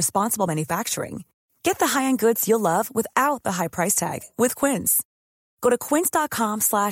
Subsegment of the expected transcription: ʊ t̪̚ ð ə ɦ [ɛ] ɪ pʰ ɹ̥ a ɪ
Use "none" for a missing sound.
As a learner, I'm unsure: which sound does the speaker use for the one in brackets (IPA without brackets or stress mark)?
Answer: a